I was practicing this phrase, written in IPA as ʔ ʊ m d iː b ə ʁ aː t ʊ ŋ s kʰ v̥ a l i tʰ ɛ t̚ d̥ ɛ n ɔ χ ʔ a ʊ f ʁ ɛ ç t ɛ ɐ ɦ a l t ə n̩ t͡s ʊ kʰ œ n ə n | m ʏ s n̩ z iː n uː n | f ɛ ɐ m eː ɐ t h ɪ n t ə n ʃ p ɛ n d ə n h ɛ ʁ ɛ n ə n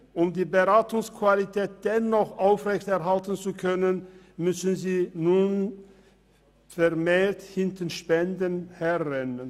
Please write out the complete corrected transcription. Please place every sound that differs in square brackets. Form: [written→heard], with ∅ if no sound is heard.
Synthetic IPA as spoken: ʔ ʊ m d iː b ə ʁ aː t ʊ ŋ s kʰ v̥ a l i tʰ [ɛ→ɛː] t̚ d̥ ɛ n ɔ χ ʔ a ʊ f ʁ ɛ ç t ɛ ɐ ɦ a l t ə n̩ t͡s [ʊ→u] kʰ œ n ə n | m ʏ s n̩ z iː n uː n | f ɛ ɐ m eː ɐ t h ɪ n t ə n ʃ p ɛ n d ə n h ɛ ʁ ɛ n ə n